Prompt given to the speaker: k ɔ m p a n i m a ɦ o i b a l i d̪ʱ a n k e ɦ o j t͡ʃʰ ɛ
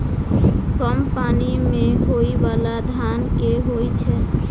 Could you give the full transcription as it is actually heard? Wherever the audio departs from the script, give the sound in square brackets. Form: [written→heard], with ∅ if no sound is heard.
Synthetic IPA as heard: k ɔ m p a n i m [a→e] ɦ o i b a l [i→a] d̪ʱ a n k e ɦ o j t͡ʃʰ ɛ